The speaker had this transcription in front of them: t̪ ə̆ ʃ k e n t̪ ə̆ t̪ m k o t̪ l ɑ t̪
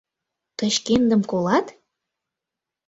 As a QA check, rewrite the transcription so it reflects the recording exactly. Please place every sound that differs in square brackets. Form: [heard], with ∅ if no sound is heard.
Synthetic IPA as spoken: t̪ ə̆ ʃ k e n [d̪] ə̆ [∅] m k o [∅] l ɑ t̪